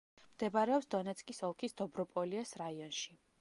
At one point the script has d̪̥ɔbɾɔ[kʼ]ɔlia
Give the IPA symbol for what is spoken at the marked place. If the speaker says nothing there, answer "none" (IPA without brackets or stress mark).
pʼ